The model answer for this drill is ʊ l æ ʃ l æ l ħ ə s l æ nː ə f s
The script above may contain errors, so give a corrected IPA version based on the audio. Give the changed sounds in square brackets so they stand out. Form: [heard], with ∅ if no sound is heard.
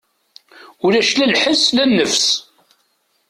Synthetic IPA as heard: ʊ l æ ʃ l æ l ħ ə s l æ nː ə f s